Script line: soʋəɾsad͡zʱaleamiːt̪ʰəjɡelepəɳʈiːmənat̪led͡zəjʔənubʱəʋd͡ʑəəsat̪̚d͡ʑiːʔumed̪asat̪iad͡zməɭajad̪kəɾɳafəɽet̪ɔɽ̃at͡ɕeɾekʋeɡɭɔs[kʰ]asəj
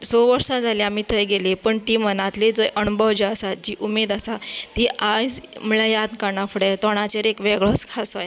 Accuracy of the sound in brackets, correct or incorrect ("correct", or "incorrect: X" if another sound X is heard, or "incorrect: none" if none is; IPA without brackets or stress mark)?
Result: correct